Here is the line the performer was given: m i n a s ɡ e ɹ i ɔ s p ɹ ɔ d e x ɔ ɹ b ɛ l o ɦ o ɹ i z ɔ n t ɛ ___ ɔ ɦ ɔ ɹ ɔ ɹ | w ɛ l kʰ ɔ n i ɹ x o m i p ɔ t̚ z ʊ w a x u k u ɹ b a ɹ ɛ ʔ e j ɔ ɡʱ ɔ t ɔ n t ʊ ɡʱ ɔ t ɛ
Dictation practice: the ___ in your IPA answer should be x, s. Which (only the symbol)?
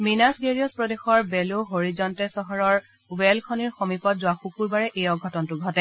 s